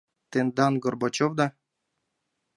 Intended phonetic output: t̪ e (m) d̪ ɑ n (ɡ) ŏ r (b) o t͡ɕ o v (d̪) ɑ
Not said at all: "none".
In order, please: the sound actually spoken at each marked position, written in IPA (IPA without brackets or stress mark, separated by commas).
n, ɡ, b, d̪